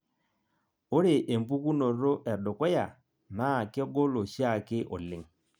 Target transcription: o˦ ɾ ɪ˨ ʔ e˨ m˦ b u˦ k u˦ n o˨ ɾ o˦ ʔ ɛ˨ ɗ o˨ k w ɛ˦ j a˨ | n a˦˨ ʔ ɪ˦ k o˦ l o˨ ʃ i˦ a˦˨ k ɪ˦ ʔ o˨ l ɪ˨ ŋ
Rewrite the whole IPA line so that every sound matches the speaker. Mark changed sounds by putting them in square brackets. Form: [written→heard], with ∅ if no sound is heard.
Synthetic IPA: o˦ ɾ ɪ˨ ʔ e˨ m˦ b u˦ k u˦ n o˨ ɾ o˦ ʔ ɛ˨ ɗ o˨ k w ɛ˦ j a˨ | n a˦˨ [ʔ→k] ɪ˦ [k→ɡ] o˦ l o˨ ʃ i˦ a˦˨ k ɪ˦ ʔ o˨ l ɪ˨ ŋ